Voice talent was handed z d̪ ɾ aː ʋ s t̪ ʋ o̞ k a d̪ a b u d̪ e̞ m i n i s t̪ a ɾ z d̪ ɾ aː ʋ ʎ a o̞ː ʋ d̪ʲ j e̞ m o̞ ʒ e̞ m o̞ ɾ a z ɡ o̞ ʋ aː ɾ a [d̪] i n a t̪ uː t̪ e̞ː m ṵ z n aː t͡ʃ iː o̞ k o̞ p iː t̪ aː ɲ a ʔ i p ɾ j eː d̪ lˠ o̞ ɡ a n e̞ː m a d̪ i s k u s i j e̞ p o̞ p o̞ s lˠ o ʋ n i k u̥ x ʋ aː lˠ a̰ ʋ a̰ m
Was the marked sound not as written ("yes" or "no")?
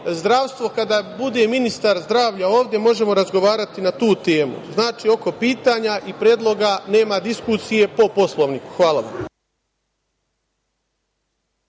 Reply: yes